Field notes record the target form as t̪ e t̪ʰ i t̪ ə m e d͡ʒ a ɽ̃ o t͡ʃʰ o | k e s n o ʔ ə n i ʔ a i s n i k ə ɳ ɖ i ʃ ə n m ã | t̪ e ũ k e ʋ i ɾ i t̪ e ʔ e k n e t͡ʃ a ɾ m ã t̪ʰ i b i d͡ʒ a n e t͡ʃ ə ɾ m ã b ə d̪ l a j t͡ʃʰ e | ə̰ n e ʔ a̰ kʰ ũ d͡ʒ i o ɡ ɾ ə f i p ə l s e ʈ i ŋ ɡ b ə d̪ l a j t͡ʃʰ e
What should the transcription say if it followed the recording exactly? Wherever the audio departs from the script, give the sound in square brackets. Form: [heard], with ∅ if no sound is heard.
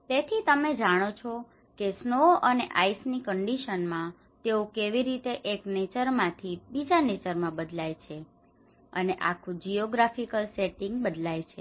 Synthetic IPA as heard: t̪ e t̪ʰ i t̪ ə m e d͡ʒ a ɽ̃ o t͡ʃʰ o | k e s n o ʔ ə n [e] ʔ a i s n i k ə ɳ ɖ i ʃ ə n m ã | t̪ e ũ k e ʋ i ɾ i t̪ e ʔ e k n e t͡ʃ [ə] ɾ m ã t̪ʰ i b i d͡ʒ a n e t͡ʃ ə ɾ m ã b ə d̪ l a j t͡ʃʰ e | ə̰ n e ʔ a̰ kʰ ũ d͡ʒ i o ɡ ɾ [a] f i [k] ə l s e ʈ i ŋ ɡ b ə d̪ l a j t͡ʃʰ e